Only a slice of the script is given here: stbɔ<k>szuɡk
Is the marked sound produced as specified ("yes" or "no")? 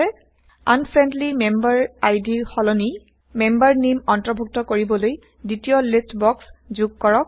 yes